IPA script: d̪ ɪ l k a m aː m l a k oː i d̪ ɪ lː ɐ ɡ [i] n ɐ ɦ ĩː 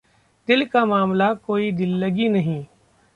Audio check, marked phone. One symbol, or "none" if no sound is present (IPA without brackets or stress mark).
i